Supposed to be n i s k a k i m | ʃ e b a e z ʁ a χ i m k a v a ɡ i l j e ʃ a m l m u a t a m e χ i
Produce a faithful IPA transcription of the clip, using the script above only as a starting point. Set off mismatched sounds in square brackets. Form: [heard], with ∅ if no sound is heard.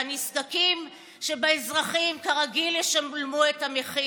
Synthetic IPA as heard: n i s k a k i m | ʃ e b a e z ʁ a χ i m k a [ʁ] a ɡ i l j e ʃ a m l m u [e] t a m e χ i